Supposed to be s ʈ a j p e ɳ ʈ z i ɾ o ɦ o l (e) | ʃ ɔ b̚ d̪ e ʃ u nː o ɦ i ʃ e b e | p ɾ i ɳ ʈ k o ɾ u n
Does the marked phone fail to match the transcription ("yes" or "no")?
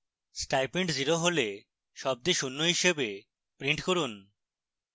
no